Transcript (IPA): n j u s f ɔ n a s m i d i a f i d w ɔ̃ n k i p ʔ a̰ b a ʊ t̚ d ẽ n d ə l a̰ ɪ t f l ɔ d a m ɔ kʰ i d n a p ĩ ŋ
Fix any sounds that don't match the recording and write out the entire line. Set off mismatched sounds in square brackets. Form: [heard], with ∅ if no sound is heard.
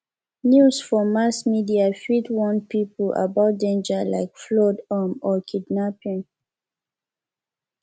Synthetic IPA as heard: n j u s f ɔ [m] a s m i d i a f i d w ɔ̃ n [p] i p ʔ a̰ b a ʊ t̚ d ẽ n [d͡ʒ] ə l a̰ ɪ [k] f l ɔ d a m ɔ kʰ i d n a p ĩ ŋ